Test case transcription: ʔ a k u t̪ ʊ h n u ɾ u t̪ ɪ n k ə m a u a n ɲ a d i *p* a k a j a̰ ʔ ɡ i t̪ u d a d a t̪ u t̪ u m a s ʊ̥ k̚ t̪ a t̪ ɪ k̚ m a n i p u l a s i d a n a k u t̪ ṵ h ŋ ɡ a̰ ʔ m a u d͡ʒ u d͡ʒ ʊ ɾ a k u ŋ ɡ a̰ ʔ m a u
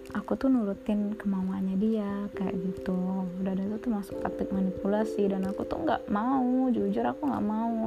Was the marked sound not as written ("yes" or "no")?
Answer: yes